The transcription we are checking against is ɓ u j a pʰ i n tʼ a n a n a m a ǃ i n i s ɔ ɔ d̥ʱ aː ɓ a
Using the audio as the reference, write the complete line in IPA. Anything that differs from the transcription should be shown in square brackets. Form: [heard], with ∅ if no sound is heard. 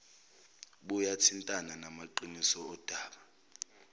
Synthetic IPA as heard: ɓ u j a [tʰ] i n tʼ a n a n a m a ǃ i n i s ɔ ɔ d̥ʱ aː ɓ a

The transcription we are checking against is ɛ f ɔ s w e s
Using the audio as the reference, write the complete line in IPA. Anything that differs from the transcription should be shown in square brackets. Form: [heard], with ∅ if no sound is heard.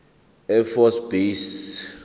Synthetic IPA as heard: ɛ f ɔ s [b] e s

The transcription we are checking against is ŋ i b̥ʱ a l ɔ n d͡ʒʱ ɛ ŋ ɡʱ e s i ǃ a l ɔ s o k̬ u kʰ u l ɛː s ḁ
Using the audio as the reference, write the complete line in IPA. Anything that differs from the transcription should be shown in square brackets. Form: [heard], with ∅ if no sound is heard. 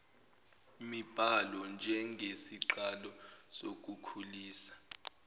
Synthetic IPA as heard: [m] i b̥ʱ a l ɔ n d͡ʒʱ ɛ ŋ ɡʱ e s i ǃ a l ɔ s o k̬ u kʰ u l [iː] s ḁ

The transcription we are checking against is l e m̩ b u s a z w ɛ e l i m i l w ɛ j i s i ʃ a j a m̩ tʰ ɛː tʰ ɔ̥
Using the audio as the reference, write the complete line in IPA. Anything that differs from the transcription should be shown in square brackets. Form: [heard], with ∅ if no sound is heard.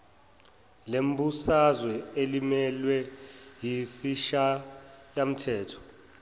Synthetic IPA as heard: l e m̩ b u s a z w ɛ e l i m [ɛ] l w ɛ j i s i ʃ a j a m̩ tʰ ɛː tʰ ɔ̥

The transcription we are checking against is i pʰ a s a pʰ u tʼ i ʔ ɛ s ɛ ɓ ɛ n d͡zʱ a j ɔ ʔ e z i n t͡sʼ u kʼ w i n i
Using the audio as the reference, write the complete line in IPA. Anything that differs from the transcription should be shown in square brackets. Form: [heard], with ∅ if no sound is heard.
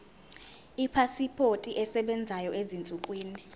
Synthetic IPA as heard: i pʰ a s [i] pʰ [o] tʼ i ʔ ɛ s ɛ ɓ ɛ n d͡zʱ a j ɔ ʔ e z i n t͡sʼ u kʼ w [iː] n i

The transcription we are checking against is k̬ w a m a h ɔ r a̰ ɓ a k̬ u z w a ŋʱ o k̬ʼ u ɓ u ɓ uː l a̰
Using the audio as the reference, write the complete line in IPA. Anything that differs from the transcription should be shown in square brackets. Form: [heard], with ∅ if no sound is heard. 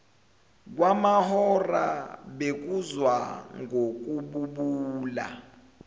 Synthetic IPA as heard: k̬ w a m a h ɔ r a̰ ɓ [e] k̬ u z w a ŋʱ o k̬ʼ u ɓ u ɓ uː l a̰

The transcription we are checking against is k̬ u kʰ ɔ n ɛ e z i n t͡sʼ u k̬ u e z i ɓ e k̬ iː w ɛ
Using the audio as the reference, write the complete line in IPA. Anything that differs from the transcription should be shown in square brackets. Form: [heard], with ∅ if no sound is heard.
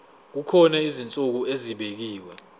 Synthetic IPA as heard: k̬ u kʰ ɔ n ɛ [i] z i n t͡sʼ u k̬ u e z i ɓ e k̬ iː w ɛ

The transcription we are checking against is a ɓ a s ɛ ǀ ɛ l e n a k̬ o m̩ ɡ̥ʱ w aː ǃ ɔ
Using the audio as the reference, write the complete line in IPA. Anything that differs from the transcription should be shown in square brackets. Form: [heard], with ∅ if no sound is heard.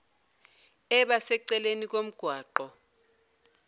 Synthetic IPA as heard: [ɛ] ɓ a s ɛ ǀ ɛ l e n [i] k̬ o m̩ ɡ̥ʱ w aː ǃ ɔ

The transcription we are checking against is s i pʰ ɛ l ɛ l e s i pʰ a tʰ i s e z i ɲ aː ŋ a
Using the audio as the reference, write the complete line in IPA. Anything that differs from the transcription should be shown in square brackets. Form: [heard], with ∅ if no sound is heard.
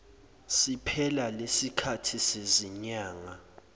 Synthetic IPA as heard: s i pʰ ɛ l [a] l e s i [kʰ] a tʰ i s e z i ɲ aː ŋ a

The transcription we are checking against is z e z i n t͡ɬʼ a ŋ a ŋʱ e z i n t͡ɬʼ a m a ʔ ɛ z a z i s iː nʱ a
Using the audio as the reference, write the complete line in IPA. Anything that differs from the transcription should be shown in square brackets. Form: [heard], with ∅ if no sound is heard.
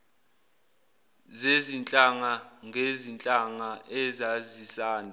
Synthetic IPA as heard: z e z i n t͡ɬʼ a ŋ a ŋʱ e z i n t͡ɬʼ a [ŋ] a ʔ ɛ z a z i s [aː] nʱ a

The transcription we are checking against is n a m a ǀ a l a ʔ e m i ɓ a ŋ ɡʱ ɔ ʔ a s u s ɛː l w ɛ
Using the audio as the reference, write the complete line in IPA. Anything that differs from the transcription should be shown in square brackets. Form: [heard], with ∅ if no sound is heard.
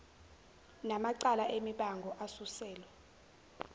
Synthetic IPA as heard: n a m a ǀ a l a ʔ e m i ɓ a ŋ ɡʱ ɔ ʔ a s u s ɛː l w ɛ

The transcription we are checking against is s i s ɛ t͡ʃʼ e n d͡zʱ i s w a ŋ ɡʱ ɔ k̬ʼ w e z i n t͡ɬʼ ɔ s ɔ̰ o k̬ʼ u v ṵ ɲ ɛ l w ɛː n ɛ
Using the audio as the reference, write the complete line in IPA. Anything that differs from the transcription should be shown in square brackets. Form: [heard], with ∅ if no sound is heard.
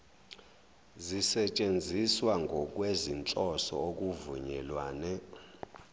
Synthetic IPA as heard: [z] i s ɛ t͡ʃʼ e n d͡zʱ i s w a ŋ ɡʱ ɔ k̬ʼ w e z i n t͡ɬʼ ɔ s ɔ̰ o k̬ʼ u v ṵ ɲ ɛ l w [aː] n ɛ

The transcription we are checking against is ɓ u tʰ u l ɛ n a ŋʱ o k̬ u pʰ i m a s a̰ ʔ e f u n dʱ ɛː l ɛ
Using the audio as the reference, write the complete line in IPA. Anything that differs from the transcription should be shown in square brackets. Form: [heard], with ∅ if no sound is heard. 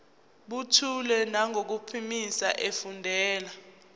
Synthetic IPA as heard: ɓ u tʰ u l ɛ n a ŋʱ o k̬ u pʰ i m [i] s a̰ ʔ e f u n dʱ ɛː l [a]

